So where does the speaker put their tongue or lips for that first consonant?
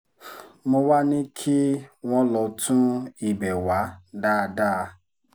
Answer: lips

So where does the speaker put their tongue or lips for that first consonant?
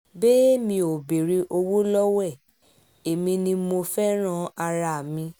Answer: lips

